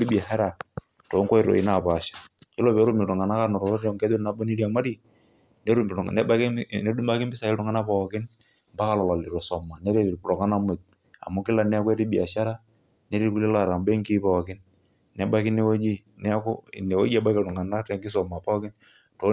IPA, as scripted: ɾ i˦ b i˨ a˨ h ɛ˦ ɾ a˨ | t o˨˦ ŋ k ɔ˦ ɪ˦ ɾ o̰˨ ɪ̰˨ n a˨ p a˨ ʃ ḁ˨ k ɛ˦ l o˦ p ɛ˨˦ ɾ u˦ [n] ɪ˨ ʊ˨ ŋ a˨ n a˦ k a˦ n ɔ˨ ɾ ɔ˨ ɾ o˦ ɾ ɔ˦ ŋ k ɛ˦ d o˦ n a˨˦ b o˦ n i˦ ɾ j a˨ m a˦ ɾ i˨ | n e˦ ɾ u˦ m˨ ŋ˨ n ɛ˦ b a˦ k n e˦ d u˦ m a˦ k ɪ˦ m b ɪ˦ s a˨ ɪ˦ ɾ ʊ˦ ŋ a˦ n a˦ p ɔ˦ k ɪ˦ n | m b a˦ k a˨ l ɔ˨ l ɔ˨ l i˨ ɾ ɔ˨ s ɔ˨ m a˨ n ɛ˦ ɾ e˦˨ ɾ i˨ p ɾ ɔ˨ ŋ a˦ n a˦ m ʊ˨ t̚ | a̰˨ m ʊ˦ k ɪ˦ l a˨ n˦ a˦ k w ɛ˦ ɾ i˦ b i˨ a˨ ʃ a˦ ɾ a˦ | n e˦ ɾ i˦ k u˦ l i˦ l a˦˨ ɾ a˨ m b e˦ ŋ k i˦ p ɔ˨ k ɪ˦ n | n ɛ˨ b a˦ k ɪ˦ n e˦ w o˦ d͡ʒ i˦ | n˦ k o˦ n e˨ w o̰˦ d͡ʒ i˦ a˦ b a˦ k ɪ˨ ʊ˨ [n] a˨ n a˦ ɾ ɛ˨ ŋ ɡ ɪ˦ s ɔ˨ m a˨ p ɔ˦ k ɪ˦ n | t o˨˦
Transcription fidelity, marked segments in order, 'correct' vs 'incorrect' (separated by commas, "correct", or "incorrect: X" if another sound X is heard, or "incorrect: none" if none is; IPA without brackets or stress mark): incorrect: m, incorrect: ŋ